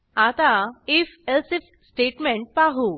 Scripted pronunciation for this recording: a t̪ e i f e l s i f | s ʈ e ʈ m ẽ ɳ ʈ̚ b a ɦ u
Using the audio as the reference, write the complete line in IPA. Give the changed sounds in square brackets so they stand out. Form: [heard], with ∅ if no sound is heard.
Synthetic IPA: a t̪ [a] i f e l s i f | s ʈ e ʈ m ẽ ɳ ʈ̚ [p] a ɦ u